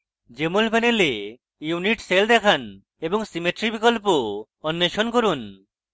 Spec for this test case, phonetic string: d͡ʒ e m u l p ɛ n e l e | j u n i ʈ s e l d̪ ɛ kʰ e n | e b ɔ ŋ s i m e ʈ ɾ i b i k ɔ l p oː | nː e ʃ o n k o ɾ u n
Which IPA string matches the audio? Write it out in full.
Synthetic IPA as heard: d͡ʒ e m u l p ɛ n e l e | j u n i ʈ s e l d̪ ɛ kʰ a n | e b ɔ ŋ s i m e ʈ ɾ i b i k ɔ l p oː | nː e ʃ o n k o ɾ u n